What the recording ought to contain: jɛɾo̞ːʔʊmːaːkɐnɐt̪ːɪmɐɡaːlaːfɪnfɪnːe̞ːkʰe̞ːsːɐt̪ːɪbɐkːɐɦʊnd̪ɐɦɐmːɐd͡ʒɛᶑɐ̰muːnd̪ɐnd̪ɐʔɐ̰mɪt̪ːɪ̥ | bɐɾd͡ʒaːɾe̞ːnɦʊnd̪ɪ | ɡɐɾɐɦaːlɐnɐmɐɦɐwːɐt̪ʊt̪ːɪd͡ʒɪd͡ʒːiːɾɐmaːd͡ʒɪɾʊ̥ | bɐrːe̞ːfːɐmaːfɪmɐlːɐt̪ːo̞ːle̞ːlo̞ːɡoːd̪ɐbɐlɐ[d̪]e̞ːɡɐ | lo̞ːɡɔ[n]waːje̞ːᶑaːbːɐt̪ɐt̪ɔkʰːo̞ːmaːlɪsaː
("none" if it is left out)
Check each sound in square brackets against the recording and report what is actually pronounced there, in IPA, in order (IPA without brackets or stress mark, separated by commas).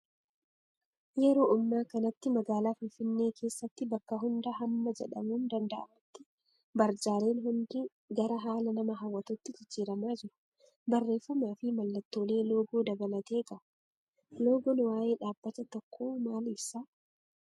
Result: t̪, n